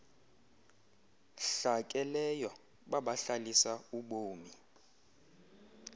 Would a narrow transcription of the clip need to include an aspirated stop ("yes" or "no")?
no